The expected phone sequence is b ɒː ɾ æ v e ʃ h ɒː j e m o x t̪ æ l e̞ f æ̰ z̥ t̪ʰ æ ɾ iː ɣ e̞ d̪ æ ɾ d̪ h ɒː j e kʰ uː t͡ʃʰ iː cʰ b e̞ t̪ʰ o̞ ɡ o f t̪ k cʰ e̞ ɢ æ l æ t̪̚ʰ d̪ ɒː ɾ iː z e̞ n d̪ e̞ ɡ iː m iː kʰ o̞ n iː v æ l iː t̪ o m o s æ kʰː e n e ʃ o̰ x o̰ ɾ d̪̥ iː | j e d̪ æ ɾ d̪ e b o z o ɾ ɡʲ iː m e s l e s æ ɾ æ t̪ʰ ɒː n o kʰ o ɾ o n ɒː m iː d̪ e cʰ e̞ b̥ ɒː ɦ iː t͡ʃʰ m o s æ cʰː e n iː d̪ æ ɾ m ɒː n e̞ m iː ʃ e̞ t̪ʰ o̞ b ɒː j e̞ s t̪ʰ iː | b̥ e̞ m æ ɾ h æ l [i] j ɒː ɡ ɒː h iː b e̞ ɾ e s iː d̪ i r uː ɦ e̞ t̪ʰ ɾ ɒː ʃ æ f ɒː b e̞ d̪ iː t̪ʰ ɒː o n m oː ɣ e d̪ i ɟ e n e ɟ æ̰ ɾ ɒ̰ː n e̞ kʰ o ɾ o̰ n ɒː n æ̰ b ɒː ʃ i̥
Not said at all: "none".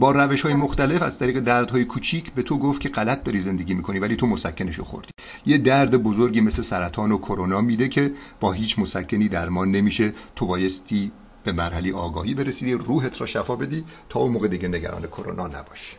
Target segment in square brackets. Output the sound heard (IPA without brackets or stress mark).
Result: e